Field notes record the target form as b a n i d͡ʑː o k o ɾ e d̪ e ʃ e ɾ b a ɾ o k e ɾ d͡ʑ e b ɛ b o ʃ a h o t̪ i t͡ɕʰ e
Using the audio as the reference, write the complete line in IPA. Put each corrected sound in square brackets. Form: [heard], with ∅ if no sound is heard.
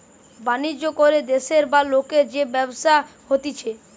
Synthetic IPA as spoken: b a n i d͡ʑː o k o ɾ e d̪ e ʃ e ɾ b a [l] o k e ɾ d͡ʑ e b ɛ b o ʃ a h o t̪ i t͡ɕʰ e